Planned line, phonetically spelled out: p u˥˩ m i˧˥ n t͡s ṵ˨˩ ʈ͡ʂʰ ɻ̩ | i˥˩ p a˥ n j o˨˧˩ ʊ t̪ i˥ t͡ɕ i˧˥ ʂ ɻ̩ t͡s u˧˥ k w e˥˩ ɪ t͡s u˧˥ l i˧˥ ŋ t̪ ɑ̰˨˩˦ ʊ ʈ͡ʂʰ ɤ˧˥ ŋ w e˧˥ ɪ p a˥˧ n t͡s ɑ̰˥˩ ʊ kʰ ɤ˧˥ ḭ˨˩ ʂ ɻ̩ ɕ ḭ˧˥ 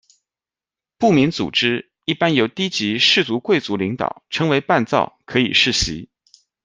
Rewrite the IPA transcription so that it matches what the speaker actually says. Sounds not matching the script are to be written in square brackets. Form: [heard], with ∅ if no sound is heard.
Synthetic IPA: p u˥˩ m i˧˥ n t͡s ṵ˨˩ [ʈ͡ʂ] ɻ̩ | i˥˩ p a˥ n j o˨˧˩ ʊ t̪ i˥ t͡ɕ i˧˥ ʂ ɻ̩ t͡s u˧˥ k w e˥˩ ɪ t͡s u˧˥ l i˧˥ ŋ t̪ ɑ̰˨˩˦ ʊ ʈ͡ʂʰ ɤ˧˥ ŋ w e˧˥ ɪ p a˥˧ n t͡s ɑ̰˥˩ ʊ kʰ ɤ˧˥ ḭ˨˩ ʂ ɻ̩ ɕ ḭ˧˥